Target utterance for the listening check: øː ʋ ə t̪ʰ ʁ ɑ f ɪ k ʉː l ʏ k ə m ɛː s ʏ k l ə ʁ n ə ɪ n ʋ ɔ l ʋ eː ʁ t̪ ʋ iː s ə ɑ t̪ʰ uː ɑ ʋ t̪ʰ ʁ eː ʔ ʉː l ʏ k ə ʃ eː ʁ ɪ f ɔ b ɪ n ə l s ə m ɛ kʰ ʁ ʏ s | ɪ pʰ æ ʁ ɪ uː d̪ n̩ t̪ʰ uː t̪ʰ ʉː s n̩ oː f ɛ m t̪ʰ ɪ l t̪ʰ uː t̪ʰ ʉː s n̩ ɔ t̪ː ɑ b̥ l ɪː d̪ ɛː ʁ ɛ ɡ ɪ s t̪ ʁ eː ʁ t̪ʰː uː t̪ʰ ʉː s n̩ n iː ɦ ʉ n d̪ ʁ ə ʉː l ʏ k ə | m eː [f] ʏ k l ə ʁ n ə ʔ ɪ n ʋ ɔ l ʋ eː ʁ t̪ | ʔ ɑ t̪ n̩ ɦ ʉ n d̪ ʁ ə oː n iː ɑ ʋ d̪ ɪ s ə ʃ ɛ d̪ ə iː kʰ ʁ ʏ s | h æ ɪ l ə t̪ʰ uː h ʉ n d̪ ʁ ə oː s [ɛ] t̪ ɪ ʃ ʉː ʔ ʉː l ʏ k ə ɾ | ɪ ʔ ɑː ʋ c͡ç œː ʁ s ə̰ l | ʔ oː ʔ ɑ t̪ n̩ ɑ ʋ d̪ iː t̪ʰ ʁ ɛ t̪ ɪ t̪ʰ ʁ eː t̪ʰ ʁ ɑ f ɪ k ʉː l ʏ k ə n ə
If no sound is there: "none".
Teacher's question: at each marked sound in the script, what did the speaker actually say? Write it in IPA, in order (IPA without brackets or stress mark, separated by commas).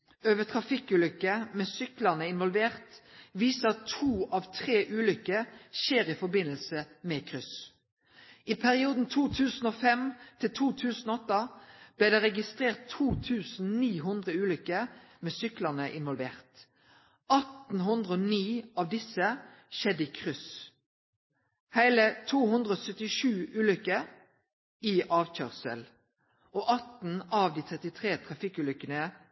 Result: s, œ